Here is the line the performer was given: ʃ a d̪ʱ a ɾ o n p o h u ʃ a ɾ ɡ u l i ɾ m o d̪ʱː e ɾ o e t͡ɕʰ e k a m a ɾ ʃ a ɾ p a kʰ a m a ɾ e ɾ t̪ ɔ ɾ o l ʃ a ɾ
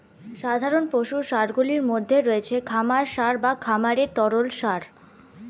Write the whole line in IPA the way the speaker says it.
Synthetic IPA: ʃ a d̪ʱ a ɾ o n p o ʃ u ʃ a ɾ ɡ u l i ɾ m o d̪ʱː e ɾ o e t͡ɕʰ e kʰ a m a ɾ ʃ a ɾ b a kʰ a m a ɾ e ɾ t̪ ɔ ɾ o l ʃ a ɾ